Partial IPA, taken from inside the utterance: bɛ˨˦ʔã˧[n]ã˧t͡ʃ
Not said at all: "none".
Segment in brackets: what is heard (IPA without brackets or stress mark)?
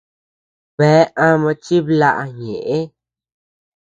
m